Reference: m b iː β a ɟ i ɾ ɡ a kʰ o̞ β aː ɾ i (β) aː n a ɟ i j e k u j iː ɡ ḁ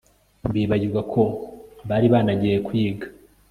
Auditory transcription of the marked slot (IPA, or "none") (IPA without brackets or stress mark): β